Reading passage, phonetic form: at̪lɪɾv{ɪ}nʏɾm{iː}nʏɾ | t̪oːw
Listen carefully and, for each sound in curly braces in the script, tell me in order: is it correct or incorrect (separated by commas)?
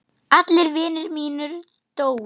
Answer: incorrect, correct